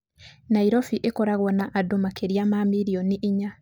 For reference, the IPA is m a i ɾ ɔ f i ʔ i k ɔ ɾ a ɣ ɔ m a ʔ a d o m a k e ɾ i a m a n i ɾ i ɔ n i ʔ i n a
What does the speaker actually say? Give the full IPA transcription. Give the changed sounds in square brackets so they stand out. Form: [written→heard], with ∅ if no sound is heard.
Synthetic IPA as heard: [m→n] a i ɾ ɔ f i ʔ [i→e] k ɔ ɾ a ɣ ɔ [m→n] a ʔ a d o m a k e ɾ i a m a [n→m] i ɾ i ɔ n i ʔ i [n→ɲ] a